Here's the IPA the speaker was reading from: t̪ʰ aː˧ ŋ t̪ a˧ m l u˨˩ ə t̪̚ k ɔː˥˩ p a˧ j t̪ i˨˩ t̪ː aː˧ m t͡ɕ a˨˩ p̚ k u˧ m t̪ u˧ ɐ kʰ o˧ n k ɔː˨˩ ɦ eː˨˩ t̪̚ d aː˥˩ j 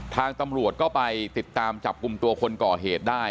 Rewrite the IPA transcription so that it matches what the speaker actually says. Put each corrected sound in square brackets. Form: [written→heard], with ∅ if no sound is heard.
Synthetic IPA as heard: t̪ʰ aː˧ ŋ t̪ a˧ m [l→ɾ] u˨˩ ə t̪̚ k ɔː˥˩ p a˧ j t̪ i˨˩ t̪ː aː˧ m t͡ɕ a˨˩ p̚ k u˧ m t̪ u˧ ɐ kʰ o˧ n k ɔː˨˩ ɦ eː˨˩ t̪̚ d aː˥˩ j